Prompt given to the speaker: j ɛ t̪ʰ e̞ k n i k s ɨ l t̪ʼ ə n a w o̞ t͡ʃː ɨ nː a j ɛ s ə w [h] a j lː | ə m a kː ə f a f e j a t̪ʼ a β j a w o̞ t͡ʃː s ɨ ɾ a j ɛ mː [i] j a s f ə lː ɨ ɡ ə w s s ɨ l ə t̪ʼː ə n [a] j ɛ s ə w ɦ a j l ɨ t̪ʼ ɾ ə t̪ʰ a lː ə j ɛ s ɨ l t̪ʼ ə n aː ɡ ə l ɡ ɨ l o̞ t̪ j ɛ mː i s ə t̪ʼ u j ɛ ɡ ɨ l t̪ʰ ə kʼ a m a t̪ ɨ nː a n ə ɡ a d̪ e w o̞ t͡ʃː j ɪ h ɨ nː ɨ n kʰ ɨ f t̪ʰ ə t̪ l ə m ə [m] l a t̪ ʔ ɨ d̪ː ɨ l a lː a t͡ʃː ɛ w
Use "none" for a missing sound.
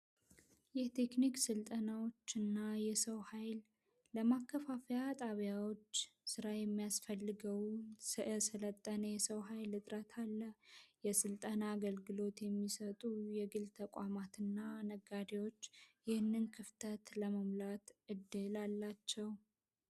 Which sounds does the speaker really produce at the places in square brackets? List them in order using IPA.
h, i, ə, m

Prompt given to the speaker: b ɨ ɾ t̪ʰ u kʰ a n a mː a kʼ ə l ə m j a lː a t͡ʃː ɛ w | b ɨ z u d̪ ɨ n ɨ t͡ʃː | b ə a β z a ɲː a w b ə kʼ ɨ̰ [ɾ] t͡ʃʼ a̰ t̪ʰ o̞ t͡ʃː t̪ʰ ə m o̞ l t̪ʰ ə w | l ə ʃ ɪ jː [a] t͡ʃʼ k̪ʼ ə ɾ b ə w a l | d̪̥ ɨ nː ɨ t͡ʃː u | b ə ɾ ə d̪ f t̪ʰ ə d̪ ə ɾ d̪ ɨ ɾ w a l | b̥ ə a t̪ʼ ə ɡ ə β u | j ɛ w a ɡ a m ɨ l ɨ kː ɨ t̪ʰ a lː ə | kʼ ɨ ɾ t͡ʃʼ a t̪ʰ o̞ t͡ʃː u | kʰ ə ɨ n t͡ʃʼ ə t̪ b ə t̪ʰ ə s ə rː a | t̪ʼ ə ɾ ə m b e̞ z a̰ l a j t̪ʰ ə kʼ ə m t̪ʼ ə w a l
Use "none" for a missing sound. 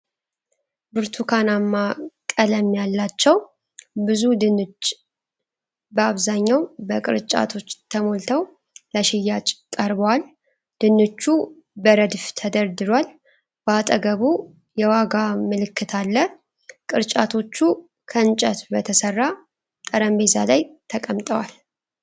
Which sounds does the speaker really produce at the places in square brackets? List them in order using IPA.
ɾ, a

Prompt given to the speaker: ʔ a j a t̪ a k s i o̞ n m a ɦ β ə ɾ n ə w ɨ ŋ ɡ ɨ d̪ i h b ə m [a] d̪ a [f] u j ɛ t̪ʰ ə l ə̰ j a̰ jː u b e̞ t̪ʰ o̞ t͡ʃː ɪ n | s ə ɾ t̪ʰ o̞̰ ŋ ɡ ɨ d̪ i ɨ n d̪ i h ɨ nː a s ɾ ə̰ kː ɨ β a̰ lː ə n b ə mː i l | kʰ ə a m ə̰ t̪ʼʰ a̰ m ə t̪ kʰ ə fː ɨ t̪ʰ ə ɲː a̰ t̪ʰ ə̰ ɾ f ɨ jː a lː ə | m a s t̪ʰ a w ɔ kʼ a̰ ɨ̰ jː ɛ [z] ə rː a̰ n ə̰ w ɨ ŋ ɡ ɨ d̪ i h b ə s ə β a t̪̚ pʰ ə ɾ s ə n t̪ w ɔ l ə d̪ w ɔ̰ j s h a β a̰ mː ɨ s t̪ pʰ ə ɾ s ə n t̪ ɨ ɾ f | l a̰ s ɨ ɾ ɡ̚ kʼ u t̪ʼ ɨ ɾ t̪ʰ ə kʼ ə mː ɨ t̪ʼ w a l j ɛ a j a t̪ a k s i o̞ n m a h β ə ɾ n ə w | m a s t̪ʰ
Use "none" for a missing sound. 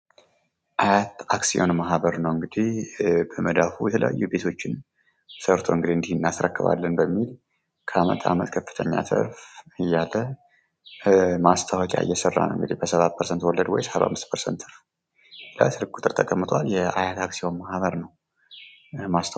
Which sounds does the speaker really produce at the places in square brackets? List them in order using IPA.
ə, f, s

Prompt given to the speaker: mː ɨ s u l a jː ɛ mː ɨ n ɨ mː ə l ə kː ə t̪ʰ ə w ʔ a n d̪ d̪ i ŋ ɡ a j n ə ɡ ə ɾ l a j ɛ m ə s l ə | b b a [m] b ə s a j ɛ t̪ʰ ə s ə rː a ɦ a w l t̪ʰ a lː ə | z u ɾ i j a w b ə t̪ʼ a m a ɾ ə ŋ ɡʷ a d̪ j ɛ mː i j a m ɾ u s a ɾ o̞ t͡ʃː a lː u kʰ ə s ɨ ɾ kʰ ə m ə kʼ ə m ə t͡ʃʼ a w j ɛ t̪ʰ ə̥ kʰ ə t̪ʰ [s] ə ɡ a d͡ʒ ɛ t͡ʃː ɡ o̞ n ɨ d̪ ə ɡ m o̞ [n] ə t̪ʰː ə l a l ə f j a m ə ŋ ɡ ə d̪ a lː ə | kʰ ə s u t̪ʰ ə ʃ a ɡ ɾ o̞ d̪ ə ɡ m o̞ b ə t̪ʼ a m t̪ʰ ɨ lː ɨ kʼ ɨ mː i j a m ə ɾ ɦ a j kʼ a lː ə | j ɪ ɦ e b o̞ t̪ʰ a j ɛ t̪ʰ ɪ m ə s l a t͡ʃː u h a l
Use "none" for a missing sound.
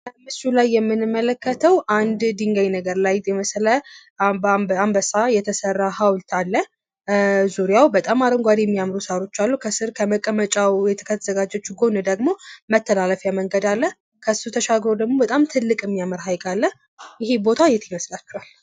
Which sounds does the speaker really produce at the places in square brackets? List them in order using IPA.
m, z, m

